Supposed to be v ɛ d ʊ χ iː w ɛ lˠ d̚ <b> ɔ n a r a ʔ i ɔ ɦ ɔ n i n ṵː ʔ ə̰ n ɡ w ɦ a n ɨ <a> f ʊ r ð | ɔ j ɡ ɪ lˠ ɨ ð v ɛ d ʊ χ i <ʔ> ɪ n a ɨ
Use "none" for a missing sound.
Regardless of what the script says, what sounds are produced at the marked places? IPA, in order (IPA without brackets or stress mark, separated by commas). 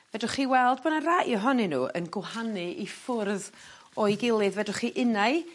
b, i, ʔ